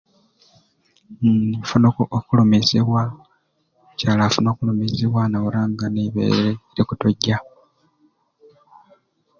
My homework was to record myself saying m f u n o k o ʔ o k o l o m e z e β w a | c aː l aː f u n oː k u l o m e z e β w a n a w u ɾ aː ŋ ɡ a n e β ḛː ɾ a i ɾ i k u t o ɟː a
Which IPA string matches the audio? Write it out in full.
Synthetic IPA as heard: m f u n o k o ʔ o k u l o m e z e β w a | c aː l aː f u n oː k u l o m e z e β w a n a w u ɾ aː ŋ ɡ a n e β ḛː ɾ e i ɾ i k u t o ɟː a